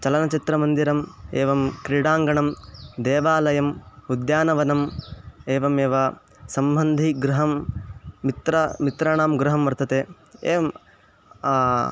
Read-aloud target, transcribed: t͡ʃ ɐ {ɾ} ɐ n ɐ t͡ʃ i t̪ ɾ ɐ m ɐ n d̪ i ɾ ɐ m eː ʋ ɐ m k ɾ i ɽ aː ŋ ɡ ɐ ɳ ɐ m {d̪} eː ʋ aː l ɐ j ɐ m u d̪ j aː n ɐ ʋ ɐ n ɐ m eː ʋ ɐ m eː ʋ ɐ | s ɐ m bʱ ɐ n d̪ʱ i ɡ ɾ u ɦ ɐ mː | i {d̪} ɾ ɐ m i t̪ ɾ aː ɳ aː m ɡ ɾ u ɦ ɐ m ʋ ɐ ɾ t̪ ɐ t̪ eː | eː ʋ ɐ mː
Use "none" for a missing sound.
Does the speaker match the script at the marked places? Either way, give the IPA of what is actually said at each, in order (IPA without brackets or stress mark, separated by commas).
l, d̪, t̪